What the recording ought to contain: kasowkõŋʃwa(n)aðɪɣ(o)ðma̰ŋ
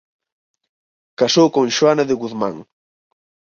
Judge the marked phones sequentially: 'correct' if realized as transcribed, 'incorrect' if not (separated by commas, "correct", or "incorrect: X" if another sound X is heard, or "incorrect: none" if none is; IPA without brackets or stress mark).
correct, incorrect: u